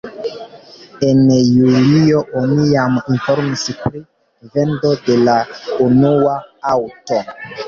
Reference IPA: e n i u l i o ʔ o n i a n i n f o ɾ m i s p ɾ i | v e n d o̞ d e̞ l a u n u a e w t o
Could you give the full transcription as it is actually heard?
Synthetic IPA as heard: e n j u l i o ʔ o n i a m i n f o ɾ m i s p ɾ i | v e n d o̞ d e̞ l a u n u a a w t o